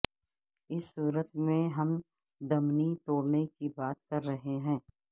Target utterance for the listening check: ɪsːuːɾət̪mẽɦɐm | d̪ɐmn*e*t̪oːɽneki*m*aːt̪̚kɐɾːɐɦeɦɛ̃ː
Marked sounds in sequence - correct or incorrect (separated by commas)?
incorrect, incorrect